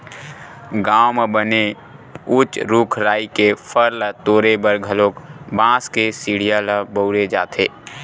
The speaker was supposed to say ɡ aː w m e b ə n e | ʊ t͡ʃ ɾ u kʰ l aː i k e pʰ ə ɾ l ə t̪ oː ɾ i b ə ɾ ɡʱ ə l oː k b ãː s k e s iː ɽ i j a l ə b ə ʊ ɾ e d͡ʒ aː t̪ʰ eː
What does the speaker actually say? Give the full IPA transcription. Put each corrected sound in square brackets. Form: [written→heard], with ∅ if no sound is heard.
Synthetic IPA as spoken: ɡ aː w m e b ə n e | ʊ t͡ʃ ɾ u kʰ [l→ɾ] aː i k e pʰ ə ɾ l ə t̪ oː ɾ [i→e] b ə ɾ ɡʱ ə l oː k b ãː s k e s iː ɽ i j a l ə b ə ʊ ɾ e d͡ʒ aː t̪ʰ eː